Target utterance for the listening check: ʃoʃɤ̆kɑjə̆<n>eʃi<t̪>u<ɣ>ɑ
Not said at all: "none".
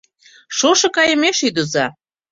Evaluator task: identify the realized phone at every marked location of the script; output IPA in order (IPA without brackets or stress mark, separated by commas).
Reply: m, d̪, z